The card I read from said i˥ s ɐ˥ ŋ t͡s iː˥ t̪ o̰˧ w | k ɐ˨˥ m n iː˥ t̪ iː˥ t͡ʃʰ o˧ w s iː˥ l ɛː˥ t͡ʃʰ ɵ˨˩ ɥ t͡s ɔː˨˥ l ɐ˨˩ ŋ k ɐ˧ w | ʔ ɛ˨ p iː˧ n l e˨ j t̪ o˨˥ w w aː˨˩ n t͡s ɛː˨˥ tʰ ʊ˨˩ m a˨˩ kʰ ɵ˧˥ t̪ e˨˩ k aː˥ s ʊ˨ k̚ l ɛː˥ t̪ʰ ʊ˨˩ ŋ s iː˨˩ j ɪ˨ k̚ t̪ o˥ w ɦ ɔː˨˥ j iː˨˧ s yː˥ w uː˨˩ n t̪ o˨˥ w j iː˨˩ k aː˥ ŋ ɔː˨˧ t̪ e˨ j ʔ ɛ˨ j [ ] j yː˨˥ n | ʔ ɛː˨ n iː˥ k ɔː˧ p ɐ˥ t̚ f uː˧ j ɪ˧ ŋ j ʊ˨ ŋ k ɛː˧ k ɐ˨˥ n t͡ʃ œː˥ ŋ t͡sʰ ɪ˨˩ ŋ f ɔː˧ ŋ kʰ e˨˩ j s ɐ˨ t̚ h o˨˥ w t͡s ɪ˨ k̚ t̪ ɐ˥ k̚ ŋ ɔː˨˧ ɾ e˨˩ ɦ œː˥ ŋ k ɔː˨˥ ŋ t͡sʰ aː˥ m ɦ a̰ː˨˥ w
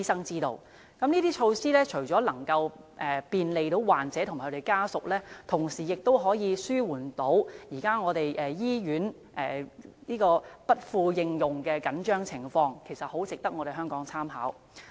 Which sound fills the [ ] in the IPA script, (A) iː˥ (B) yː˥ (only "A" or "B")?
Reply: A